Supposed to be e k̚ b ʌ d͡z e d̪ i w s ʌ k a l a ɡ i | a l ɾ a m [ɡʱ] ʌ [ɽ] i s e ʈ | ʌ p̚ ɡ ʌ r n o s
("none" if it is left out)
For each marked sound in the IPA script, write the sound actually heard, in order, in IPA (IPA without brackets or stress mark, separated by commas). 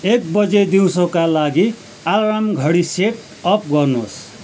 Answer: ɡʱ, ɽ